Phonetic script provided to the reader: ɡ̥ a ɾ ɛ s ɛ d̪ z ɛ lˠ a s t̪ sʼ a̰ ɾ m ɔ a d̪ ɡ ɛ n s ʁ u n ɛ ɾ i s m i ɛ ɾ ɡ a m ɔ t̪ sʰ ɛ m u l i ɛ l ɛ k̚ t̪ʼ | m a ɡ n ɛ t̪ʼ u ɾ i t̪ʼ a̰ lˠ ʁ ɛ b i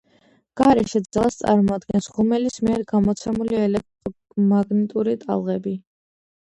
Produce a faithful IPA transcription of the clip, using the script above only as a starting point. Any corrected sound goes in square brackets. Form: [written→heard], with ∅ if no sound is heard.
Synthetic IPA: ɡ̥ a ɾ ɛ [s→ʃ] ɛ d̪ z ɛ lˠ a s t̪ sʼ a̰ ɾ m ɔ a d̪ ɡ ɛ n s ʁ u [n→m] ɛ [ɾ→l] i s m i ɛ ɾ ɡ a m ɔ t̪ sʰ ɛ m u l i ɛ l ɛ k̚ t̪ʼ | m a ɡ n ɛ t̪ʼ u ɾ i t̪ʼ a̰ lˠ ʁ ɛ b i